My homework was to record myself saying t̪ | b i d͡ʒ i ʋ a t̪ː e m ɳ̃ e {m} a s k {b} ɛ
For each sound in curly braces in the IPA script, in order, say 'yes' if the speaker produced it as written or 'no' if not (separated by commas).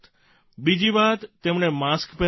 yes, no